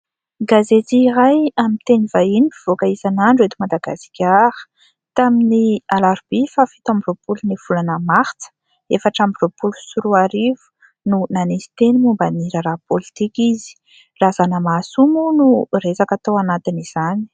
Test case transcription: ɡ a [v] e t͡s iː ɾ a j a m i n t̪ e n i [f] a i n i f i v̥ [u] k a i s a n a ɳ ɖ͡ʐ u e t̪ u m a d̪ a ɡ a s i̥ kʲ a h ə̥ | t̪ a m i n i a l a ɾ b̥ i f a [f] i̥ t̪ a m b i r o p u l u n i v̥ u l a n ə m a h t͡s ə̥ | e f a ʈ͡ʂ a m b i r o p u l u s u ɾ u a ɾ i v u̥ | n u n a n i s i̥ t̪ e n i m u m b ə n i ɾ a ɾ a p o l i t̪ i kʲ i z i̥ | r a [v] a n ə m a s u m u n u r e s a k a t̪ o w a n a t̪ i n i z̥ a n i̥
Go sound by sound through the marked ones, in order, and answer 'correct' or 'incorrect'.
incorrect: z, incorrect: v, incorrect: o, correct, incorrect: z

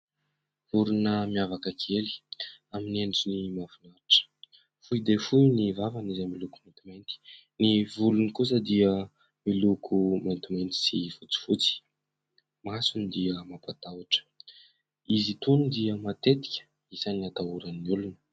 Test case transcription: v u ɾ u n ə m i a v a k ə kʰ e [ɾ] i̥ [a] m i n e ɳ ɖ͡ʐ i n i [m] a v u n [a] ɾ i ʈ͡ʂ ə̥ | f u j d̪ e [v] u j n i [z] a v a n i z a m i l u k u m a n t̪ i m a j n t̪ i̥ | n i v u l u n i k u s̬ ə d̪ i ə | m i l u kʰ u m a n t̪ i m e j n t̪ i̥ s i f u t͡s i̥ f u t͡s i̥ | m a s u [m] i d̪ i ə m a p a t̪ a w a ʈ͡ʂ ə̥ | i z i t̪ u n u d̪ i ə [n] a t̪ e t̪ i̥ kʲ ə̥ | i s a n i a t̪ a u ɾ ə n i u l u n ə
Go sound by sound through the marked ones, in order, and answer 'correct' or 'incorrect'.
incorrect: l, correct, correct, correct, incorrect: f, incorrect: v, incorrect: n, incorrect: m

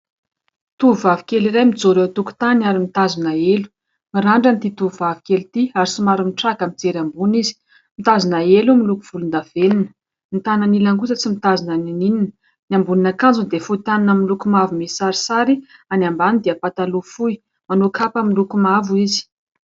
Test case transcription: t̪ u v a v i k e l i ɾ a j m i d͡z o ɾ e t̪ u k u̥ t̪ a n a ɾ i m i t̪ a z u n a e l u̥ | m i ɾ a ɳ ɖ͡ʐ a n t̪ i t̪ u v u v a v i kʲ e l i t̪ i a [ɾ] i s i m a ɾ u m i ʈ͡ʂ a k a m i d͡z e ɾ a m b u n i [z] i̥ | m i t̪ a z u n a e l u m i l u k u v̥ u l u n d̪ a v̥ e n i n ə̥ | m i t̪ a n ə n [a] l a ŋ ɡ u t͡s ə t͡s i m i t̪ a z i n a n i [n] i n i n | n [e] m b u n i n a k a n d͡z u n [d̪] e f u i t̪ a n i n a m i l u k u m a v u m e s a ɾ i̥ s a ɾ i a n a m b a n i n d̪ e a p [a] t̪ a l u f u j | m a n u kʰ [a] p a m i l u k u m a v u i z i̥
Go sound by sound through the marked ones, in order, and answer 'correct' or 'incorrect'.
correct, correct, incorrect: i, correct, incorrect: a, correct, correct, correct

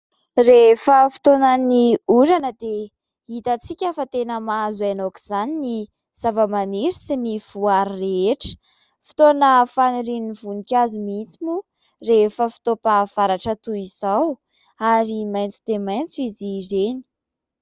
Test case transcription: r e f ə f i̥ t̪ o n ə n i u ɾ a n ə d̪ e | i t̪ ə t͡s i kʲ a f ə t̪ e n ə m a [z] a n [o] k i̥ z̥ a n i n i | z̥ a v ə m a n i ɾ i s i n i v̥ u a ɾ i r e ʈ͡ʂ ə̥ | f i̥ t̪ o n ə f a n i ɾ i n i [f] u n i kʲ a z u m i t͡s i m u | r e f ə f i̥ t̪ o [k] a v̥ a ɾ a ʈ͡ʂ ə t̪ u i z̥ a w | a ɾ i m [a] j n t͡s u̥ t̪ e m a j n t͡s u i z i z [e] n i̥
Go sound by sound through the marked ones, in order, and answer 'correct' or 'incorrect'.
correct, correct, incorrect: v, incorrect: p, correct, correct

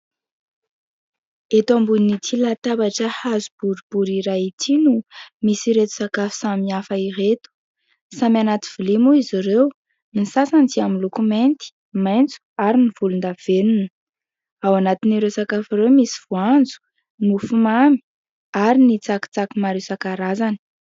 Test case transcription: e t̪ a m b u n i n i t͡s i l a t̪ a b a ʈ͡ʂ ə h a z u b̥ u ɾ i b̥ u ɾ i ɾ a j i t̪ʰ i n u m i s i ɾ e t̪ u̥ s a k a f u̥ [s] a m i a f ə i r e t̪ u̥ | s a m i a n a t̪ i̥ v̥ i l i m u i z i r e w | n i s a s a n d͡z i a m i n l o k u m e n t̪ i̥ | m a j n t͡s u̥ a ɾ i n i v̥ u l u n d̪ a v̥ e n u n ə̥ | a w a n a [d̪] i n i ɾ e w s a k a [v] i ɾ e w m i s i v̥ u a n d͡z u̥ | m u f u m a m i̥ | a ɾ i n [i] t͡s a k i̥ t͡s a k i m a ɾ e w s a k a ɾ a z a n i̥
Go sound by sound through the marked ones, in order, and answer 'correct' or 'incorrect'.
correct, incorrect: t̪, incorrect: f, correct

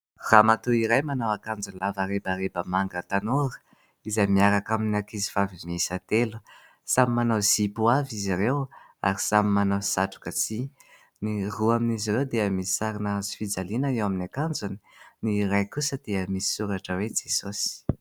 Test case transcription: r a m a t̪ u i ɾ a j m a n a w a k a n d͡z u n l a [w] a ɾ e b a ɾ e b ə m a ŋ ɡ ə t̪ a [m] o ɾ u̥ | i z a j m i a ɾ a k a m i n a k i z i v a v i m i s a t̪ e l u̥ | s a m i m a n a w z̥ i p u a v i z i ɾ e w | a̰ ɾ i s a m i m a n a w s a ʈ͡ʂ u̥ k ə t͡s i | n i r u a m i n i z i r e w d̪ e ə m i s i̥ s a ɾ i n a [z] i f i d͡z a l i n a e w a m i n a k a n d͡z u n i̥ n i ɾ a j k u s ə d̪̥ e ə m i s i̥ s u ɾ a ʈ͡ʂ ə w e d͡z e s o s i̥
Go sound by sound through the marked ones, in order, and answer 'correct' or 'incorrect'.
incorrect: v, incorrect: n, correct

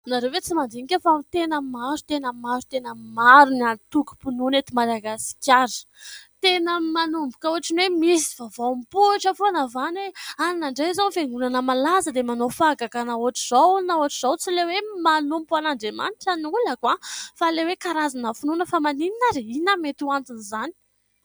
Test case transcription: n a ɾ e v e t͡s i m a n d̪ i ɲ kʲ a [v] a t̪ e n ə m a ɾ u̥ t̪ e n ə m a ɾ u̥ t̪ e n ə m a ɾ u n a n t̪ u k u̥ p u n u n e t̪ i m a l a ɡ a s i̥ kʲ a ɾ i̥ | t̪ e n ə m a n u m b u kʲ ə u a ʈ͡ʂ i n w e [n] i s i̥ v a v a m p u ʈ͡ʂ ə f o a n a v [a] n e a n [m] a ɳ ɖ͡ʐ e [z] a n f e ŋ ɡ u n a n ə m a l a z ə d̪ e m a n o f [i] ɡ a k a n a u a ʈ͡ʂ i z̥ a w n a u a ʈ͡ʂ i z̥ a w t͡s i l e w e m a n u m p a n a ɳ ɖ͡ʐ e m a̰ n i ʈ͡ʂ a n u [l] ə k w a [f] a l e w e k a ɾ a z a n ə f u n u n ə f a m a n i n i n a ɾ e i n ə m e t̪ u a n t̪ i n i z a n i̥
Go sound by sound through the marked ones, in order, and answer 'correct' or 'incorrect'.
incorrect: f, incorrect: m, correct, incorrect: n, correct, incorrect: a, correct, correct

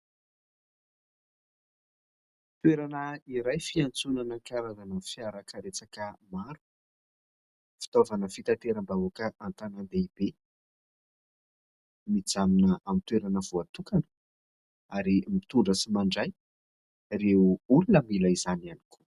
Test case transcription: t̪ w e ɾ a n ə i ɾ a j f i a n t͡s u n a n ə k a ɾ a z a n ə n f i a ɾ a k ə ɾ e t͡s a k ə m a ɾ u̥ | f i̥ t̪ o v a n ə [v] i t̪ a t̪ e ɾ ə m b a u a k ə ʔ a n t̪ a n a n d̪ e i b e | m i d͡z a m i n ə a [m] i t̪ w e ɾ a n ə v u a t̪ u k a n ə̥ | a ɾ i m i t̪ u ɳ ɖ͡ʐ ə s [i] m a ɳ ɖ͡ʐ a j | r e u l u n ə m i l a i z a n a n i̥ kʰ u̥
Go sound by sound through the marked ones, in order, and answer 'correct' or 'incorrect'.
incorrect: f, correct, correct

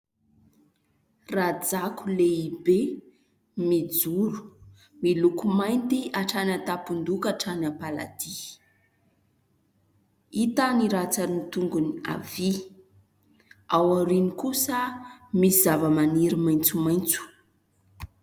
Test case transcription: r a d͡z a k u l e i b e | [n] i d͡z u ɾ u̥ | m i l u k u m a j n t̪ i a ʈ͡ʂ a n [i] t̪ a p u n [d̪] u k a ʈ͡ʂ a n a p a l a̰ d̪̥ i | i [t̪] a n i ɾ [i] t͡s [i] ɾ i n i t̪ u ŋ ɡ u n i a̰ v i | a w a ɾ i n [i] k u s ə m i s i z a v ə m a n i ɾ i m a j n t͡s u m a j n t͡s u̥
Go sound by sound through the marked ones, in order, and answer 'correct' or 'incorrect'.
incorrect: m, incorrect: a, correct, correct, incorrect: a, incorrect: a, correct

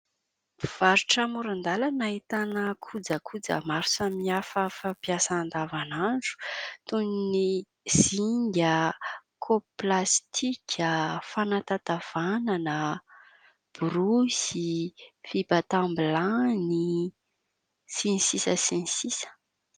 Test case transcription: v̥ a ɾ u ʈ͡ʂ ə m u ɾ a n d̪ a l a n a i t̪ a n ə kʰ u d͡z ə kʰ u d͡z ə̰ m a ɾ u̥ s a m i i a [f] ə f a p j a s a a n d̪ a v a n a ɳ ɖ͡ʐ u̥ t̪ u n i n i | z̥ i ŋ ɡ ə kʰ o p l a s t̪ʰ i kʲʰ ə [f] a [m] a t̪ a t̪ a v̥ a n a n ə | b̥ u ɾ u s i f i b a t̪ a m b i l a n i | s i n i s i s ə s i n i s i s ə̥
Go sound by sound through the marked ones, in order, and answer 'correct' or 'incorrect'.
correct, correct, incorrect: n

